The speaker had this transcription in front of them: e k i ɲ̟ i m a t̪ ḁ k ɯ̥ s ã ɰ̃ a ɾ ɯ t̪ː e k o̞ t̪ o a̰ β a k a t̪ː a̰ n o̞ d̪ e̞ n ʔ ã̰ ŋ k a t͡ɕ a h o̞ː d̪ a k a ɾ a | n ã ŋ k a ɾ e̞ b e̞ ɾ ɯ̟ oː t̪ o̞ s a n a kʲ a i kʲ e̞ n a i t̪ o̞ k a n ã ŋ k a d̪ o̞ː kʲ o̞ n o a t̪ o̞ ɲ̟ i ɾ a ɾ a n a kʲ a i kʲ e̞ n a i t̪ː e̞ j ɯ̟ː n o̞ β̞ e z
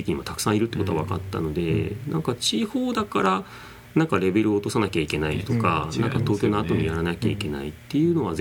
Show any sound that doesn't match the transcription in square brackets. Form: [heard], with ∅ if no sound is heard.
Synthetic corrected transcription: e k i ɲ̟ i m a t̪ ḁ k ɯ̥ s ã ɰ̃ [i] ɾ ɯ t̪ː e k o̞ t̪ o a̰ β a k a t̪ː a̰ n o̞ d̪ e̞ n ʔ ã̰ ŋ k a t͡ɕ [i] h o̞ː d̪ a k a ɾ a | n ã ŋ k a ɾ e̞ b e̞ ɾ ɯ̟ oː t̪ o̞ s a n a kʲ a i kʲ e̞ n a i t̪ o̞ k a n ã ŋ k a [t̪] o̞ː kʲ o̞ n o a t̪ o̞ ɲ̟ i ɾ a ɾ a n a kʲ a i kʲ e̞ n a i t̪ː e̞ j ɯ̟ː n o̞ β̞ [a] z